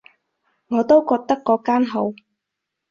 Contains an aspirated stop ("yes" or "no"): no